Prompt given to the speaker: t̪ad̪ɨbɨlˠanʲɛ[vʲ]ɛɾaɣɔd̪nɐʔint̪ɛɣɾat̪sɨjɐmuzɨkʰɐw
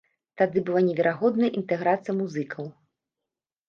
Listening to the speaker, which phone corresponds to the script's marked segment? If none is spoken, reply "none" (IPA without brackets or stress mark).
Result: vʲ